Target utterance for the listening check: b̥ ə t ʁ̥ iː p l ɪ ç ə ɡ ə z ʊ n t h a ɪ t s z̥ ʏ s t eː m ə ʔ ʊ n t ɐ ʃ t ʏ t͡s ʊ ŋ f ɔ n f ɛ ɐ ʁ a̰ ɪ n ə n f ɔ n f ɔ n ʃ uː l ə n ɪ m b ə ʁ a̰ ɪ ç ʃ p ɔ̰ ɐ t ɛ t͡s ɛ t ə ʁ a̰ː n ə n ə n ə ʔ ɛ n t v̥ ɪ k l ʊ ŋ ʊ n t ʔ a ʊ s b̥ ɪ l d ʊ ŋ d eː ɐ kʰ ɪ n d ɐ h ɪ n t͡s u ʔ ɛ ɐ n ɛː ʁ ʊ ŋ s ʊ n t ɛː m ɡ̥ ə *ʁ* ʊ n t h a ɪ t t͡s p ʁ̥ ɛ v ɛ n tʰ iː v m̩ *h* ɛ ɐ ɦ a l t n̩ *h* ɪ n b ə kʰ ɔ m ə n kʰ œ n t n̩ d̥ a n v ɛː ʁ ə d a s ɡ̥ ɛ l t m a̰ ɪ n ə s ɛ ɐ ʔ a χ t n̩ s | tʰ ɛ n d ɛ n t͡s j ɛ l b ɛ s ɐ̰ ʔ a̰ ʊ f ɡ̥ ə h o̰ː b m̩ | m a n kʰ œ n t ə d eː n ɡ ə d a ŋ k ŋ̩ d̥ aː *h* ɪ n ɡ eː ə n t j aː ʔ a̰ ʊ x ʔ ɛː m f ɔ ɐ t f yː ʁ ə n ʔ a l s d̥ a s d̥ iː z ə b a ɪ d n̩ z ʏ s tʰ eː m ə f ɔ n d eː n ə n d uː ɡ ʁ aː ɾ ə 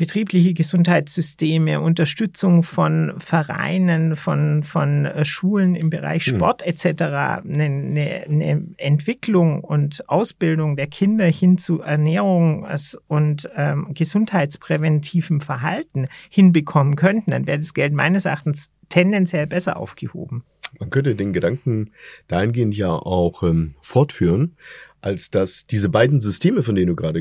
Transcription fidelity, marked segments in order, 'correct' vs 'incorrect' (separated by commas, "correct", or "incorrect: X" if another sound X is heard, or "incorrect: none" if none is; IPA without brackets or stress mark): incorrect: z, incorrect: f, correct, correct